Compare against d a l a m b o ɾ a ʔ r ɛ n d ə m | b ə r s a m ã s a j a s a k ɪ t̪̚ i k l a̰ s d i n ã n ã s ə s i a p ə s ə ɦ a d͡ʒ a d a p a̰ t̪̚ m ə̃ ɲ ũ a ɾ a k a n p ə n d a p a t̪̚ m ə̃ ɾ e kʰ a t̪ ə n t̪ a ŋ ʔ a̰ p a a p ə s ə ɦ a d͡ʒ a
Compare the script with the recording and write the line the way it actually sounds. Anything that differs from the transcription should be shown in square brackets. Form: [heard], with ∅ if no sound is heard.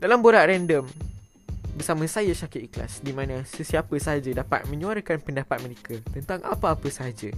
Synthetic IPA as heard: d a l a m b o ɾ a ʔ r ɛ n d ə m | b ə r s a m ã s a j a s a k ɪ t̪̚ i k l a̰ s d i [m] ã n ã s ə s i a p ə s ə ɦ a d͡ʒ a d a p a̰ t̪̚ m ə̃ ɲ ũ a ɾ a k a n p ə n d a p a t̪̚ m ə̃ ɾ e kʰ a t̪ ə n t̪ a ŋ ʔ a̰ p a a p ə s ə ɦ a d͡ʒ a